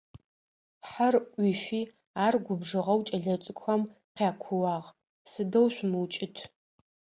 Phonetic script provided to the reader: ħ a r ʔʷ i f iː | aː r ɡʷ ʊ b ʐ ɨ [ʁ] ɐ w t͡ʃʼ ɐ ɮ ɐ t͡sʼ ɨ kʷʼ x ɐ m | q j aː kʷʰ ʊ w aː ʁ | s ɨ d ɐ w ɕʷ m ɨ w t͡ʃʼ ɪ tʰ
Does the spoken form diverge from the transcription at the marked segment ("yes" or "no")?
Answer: no